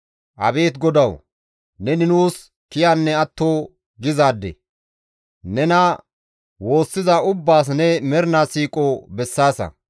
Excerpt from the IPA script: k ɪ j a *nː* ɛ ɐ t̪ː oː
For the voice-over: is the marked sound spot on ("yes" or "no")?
yes